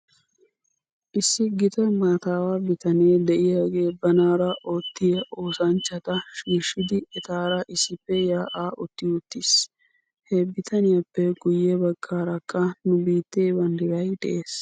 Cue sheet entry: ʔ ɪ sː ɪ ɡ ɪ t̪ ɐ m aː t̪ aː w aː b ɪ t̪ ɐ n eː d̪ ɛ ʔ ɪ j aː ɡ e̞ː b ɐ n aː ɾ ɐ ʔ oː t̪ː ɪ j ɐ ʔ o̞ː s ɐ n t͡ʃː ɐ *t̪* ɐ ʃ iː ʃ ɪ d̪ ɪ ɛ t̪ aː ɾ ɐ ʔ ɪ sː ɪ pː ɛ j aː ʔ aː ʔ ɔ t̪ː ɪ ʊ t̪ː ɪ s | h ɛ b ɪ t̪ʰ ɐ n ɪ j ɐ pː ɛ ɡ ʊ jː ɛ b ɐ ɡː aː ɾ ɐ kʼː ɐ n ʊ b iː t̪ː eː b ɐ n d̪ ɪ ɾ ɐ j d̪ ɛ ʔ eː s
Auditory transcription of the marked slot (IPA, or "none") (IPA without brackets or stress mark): t̪